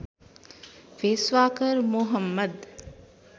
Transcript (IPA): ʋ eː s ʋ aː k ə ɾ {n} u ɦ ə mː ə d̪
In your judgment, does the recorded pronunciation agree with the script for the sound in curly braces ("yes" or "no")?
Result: no